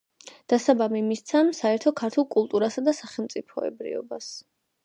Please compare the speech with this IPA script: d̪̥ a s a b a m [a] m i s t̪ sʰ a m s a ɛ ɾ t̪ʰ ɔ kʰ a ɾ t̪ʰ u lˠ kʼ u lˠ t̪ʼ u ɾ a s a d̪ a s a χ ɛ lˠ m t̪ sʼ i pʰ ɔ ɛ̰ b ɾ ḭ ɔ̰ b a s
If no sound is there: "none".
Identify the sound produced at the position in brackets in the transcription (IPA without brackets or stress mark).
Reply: i